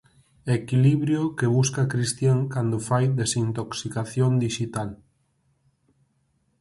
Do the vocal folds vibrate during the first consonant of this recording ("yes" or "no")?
no